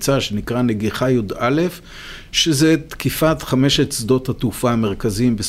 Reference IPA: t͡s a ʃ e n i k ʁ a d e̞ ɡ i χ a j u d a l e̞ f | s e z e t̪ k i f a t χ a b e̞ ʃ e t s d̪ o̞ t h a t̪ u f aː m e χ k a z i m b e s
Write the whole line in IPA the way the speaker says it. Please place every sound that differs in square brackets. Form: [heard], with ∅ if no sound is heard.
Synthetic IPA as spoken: t͡s a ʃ e n i k ʁ a [n] e̞ ɡ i χ a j u d a l e̞ f | [ʃ] e z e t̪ k i f a t χ a [m] e̞ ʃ e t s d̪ o̞ t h a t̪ u f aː m e [ʁ] k a z i m b e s